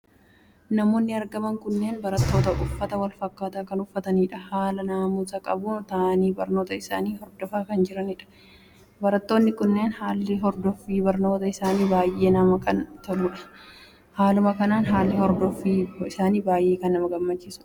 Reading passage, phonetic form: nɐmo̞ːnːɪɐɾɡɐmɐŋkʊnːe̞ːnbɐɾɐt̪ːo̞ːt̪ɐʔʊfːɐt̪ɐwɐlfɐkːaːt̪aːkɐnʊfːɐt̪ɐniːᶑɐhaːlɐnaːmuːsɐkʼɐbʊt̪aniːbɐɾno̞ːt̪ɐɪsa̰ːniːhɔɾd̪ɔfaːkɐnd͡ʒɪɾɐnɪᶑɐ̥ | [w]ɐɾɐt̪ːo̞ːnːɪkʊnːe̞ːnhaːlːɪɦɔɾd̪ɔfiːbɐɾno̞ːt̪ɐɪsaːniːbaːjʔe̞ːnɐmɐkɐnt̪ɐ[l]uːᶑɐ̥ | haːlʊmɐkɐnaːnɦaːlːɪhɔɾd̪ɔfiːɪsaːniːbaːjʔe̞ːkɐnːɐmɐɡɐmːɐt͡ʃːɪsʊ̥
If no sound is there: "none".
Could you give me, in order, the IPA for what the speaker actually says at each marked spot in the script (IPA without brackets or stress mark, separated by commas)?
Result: b, l